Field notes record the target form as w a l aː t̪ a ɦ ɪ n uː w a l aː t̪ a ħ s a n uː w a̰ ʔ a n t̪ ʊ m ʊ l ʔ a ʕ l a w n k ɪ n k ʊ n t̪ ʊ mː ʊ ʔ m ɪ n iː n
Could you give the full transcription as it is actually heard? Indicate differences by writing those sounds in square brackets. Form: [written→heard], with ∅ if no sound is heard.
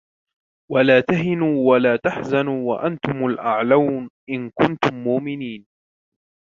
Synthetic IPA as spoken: w a l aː t̪ a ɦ ɪ n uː w a l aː t̪ a ħ [s→z] a n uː w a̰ ʔ a n t̪ ʊ m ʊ l ʔ a ʕ l a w n [k→ʔ] ɪ n k ʊ n t̪ ʊ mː ʊ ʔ m ɪ n iː n